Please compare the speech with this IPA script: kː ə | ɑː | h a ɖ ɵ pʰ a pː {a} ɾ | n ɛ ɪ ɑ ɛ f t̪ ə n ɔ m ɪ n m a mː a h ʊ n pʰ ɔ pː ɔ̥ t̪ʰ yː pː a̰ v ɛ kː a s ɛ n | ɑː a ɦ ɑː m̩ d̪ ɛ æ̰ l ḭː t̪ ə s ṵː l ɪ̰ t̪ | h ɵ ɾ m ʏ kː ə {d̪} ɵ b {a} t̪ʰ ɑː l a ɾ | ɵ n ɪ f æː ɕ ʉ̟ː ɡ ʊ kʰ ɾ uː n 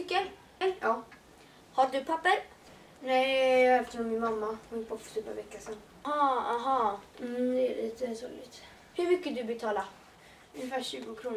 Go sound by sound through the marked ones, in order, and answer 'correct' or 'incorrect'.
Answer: incorrect: ə, correct, incorrect: ɛ

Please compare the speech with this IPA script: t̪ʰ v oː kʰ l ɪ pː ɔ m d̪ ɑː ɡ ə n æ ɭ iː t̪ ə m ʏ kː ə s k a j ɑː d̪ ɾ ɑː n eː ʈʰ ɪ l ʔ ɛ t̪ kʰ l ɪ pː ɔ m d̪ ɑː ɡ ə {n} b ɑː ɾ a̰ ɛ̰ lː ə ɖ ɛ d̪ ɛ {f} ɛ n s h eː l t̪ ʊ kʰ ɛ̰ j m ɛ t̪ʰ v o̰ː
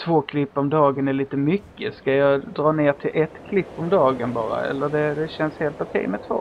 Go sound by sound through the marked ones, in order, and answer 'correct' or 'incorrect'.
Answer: correct, incorrect: ɕ

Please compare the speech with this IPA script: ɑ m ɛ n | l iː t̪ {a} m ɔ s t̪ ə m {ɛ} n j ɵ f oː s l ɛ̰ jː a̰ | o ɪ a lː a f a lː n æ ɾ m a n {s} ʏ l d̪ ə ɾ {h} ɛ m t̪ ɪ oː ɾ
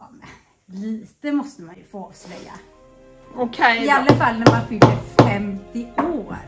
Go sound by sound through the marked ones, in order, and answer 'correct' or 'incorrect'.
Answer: incorrect: ə, incorrect: a, incorrect: f, incorrect: f

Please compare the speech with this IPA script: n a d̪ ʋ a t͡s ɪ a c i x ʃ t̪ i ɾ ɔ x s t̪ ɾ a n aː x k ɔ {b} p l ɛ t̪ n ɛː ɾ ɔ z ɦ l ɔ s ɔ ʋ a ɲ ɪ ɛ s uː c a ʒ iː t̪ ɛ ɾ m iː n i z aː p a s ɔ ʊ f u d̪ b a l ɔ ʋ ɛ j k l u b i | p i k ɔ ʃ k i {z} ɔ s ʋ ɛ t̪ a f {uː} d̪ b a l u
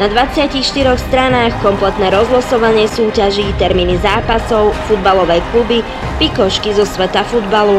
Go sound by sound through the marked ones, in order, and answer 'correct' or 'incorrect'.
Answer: incorrect: m, correct, incorrect: u

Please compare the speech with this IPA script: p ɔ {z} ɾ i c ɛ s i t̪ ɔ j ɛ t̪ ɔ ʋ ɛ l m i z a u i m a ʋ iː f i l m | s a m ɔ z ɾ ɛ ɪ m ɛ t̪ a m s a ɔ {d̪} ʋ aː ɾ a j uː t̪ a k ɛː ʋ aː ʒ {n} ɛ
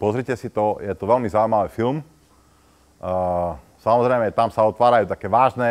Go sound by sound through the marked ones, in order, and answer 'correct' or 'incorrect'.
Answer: correct, incorrect: t̪, correct

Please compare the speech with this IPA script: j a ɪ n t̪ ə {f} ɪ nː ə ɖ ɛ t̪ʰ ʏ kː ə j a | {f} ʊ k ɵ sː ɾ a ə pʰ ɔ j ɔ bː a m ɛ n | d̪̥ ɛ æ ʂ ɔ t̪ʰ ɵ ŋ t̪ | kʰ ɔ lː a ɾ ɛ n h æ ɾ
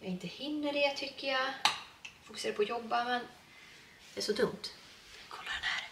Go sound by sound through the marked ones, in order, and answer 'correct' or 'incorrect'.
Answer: incorrect: h, correct

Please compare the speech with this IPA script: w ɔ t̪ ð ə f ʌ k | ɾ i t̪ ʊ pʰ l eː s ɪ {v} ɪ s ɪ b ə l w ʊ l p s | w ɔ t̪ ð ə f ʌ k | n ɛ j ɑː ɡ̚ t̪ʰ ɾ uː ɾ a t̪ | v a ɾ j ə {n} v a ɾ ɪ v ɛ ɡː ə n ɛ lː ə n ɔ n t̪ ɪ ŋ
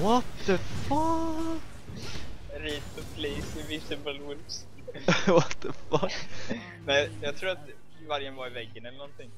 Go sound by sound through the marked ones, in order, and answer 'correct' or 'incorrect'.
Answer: correct, correct

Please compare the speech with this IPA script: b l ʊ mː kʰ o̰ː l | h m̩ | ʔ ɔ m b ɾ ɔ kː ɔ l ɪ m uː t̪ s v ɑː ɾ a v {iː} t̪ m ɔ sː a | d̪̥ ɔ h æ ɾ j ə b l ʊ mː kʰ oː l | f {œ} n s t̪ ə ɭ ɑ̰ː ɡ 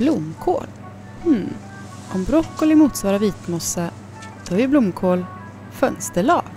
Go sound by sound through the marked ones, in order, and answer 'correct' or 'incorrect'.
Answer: correct, correct

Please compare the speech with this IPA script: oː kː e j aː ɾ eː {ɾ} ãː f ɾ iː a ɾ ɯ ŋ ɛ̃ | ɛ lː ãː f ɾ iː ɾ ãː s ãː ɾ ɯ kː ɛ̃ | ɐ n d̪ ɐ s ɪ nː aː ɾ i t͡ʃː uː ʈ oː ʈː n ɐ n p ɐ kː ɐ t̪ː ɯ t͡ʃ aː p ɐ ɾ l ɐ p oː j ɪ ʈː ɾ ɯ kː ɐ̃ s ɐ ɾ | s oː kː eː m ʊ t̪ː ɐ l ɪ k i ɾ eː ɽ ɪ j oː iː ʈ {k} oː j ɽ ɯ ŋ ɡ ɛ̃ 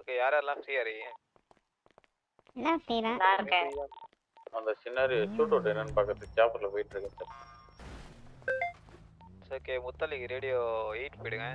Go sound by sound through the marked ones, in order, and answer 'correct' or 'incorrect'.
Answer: incorrect: l, incorrect: p

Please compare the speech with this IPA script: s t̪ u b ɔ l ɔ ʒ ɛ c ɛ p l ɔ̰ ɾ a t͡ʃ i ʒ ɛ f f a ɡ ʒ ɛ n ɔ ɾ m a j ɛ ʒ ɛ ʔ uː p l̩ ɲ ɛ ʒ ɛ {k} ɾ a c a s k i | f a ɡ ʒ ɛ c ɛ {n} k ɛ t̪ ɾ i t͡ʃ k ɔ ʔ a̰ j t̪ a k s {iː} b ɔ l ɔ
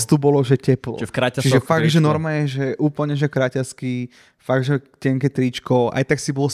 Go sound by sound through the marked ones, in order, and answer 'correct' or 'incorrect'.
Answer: correct, incorrect: ŋ, incorrect: i

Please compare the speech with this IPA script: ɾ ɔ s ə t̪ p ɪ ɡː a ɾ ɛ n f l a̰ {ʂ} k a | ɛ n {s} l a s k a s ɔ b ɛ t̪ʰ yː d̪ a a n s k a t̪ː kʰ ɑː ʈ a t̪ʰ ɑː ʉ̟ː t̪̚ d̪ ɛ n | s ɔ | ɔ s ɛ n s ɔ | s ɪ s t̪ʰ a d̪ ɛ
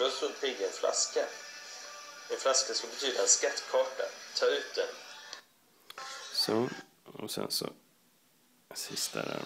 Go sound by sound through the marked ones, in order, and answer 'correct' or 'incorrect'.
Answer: incorrect: s, incorrect: f

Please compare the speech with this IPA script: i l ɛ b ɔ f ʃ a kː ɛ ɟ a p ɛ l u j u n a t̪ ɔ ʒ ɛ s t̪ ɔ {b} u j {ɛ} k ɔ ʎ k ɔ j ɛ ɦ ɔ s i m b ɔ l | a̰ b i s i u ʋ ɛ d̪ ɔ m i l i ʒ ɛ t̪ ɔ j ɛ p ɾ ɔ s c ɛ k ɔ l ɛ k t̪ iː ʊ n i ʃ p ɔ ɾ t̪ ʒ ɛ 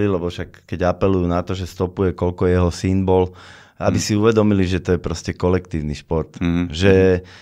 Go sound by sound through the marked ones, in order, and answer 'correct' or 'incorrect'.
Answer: incorrect: p, correct

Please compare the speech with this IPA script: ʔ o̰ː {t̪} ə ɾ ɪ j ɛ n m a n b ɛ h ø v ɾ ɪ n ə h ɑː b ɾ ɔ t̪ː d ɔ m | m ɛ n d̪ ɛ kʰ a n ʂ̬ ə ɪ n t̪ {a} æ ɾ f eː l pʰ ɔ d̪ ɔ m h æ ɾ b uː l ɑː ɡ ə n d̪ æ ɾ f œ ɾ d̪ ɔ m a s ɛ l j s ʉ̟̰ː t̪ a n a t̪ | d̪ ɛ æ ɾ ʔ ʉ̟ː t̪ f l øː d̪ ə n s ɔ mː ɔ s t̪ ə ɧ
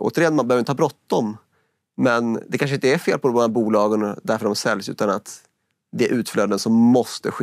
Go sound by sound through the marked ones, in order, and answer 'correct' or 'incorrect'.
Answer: correct, incorrect: ə

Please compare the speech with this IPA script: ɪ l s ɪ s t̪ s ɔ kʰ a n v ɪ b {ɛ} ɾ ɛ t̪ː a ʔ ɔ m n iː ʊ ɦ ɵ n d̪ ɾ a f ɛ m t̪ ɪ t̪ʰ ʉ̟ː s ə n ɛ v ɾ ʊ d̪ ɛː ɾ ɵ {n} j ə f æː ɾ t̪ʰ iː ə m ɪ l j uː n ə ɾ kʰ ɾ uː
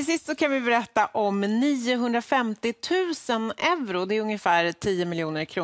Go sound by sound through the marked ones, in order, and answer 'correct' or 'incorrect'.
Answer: correct, incorrect: ŋ

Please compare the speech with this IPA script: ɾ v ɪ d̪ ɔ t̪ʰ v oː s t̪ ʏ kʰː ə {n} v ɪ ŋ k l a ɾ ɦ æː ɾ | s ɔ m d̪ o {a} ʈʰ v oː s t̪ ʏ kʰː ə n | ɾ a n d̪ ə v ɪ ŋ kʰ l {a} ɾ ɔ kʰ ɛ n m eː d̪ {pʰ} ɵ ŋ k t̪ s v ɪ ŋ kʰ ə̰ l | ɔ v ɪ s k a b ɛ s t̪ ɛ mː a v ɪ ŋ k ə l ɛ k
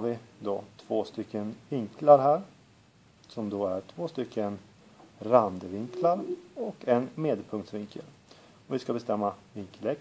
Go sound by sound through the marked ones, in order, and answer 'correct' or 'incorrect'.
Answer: correct, incorrect: æ, correct, correct

